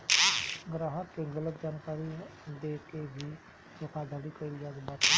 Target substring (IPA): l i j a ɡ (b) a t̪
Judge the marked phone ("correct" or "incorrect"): correct